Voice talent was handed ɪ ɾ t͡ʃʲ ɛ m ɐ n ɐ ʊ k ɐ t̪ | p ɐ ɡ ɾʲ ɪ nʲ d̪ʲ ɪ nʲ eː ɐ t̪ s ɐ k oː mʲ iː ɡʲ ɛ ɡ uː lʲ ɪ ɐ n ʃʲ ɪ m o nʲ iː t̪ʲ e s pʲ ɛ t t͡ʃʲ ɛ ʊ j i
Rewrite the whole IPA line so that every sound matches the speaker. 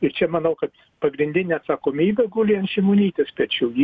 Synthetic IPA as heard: ɪ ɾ t͡ʃʲ ɛ m ɐ n ɐ ʊ k ɐ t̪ | p ɐ ɡ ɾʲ ɪ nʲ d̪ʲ ɪ nʲ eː ɐ t̪ s ɐ k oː mʲ iː bʲ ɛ ɡ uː lʲ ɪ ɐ n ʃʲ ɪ m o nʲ iː t̪ʲ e s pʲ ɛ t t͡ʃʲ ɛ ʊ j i